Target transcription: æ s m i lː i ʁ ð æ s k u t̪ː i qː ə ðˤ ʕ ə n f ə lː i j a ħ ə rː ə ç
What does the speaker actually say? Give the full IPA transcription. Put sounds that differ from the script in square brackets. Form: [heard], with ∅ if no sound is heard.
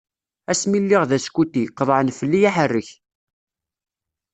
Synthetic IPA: æ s m i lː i ʁ ð æ s k u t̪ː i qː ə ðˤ ʕ ə n f ə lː i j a ħ ə rː ə ç